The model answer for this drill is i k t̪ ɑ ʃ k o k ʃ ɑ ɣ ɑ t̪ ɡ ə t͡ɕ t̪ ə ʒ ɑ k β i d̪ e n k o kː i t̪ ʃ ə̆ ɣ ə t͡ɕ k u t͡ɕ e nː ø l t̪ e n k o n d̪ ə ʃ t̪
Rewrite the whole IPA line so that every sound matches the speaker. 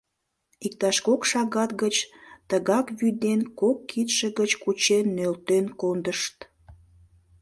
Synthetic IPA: i k t̪ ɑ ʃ k o k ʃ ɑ ɣ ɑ t̪ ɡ ə t͡ɕ t̪ ə ɣ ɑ k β y d̪ e n k o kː i t̪ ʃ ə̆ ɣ ə t͡ɕ k u t͡ɕ e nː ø l t̪ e n k o n d̪ ə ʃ t̪